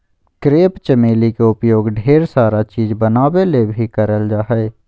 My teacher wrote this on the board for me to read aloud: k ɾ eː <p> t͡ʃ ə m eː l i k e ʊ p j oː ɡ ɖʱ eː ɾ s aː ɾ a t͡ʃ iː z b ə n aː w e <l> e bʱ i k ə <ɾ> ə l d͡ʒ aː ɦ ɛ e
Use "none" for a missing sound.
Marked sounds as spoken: p, l, ɾ

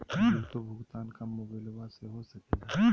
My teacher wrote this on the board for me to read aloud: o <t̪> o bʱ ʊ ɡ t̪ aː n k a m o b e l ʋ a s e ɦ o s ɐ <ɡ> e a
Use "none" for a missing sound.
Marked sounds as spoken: t̪, k

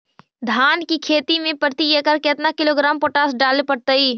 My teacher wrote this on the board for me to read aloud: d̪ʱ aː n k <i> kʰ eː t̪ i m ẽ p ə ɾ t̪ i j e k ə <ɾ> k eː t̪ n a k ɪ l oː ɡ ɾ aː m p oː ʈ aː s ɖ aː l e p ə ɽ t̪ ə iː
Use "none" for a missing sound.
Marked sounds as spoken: i, ɾ

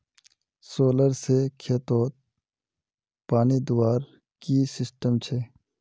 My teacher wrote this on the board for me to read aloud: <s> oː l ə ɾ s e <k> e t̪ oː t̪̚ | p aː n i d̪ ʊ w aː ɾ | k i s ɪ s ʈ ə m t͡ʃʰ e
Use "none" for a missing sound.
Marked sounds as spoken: s, kʰ

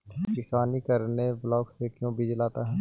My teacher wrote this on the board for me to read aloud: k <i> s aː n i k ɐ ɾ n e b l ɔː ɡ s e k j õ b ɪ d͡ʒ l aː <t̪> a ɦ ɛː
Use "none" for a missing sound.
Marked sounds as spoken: ɪ, t̪

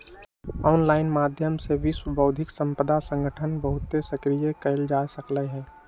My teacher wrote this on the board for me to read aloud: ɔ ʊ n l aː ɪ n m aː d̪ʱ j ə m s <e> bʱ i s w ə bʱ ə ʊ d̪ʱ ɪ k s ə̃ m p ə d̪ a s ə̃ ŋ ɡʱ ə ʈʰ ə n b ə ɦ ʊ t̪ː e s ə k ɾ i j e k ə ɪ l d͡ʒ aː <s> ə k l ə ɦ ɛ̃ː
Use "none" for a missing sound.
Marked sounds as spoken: e, s

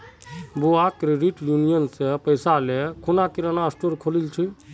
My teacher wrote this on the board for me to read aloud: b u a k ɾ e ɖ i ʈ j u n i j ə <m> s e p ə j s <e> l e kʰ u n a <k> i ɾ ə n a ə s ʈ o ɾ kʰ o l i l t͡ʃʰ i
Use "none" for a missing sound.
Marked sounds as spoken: n, a, k

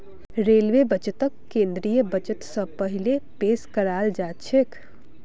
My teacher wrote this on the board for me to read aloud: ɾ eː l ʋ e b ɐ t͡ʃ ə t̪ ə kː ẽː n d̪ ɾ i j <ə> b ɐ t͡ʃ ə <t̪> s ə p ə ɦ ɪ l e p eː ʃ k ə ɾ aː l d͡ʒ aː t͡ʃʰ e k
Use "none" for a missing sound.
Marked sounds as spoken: ə, t̪

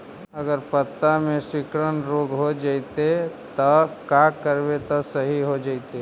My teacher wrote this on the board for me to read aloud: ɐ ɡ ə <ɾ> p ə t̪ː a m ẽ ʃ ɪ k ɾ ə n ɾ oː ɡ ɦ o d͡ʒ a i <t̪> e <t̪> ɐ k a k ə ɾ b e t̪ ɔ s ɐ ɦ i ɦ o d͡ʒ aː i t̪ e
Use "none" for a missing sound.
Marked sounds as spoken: ɾ, t̪, t̪

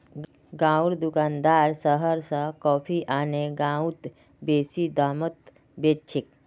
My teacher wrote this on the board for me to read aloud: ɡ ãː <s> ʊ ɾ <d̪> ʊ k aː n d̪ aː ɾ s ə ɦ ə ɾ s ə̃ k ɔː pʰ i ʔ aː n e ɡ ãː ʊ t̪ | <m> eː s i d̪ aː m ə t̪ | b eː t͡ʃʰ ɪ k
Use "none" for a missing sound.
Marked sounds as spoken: none, d̪, b

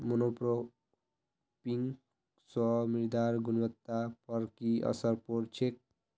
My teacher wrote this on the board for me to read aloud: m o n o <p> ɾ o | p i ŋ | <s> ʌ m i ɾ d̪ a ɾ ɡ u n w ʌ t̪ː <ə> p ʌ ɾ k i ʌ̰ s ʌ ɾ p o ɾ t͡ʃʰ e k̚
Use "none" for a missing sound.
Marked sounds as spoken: p, s, a

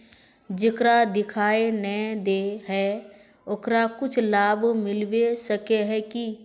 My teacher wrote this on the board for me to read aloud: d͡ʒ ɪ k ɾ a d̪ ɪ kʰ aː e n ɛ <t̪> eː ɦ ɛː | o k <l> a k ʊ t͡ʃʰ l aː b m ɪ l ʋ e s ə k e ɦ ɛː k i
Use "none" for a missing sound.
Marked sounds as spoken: d̪, ɾ

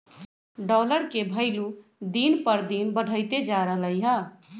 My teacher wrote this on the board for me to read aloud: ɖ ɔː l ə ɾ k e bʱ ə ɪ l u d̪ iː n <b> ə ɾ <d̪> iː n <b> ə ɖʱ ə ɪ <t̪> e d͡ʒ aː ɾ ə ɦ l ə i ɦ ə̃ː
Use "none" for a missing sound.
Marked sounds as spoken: p, d̪, b, t̪

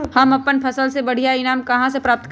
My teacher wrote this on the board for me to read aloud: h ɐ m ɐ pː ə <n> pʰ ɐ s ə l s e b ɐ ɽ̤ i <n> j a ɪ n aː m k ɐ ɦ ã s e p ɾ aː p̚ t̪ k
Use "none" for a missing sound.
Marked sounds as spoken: n, none

